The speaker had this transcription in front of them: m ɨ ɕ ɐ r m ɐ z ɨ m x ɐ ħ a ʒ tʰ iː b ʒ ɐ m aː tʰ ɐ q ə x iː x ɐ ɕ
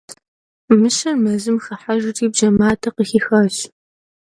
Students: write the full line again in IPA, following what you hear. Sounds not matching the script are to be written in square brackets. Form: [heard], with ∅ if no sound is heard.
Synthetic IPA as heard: m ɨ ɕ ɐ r m ɐ z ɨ m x ɐ ħ a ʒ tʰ iː b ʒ ɐ m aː tʰ ɐ q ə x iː x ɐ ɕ

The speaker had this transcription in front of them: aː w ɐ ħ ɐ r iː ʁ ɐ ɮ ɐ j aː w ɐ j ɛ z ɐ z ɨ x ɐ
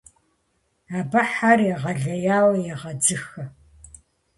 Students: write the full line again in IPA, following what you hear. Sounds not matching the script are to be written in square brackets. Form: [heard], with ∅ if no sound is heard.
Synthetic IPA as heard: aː [b] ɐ ħ [a] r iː ʁ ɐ ɮ ɐ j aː w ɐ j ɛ [ʁ] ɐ [d͡z] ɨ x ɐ

